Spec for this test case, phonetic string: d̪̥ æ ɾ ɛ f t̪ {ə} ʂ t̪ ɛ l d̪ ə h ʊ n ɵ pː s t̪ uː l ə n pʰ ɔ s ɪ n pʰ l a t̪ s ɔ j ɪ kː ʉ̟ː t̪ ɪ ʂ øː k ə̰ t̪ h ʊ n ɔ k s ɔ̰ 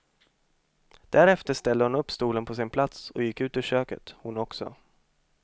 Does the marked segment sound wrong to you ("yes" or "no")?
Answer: no